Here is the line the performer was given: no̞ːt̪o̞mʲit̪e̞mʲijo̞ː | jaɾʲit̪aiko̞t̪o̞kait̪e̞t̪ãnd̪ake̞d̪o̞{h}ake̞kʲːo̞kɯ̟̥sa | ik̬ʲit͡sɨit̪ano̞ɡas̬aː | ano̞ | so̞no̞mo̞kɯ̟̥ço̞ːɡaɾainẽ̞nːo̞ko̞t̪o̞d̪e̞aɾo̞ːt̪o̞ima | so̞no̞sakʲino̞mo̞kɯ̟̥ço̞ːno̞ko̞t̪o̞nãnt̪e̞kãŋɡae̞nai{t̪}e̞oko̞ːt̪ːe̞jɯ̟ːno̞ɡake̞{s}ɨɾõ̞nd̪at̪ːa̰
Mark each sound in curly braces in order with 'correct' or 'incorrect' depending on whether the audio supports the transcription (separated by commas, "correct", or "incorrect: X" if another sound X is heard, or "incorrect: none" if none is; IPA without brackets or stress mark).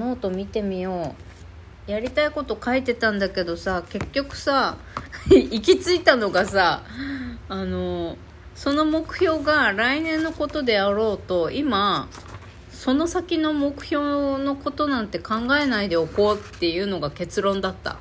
incorrect: s, incorrect: d̪, incorrect: t͡s